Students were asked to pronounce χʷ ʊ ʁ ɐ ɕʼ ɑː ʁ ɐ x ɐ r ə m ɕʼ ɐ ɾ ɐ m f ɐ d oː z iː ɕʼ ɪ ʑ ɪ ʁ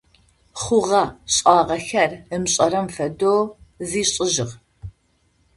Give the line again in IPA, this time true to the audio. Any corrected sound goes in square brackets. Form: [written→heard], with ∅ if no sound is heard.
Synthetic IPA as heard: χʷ ʊ ʁ ɐ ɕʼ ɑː ʁ ɐ x ɐ r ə m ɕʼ ɐ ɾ ɐ m f ɐ d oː z iː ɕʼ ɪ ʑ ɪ ʁ